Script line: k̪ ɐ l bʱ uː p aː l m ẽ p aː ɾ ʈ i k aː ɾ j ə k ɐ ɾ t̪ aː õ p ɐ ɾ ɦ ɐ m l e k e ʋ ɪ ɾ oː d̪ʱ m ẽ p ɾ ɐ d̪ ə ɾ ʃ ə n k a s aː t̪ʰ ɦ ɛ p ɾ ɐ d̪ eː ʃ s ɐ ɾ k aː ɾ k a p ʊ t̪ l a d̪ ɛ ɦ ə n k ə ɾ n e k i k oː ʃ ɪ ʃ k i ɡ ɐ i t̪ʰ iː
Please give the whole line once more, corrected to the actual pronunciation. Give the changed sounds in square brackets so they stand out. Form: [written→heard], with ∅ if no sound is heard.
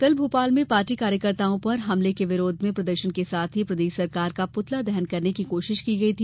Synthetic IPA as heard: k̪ ɐ l bʱ uː p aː l m ẽ p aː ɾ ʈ i k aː ɾ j ə k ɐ ɾ t̪ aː õ p ɐ ɾ ɦ ɐ m l e k e ʋ ɪ ɾ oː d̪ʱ m ẽ p ɾ ɐ d̪ ə ɾ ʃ ə n k [a→e] s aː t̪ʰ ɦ [ɛ→i] p ɾ ɐ d̪ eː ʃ s ɐ ɾ k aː ɾ k a p ʊ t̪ l a d̪ ɛ ɦ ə n k [ə→ɐ] ɾ n e k i k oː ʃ ɪ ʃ k i ɡ ɐ i t̪ʰ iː